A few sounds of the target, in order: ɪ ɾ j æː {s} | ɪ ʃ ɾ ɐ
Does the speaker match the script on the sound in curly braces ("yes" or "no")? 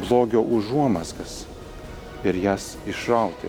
yes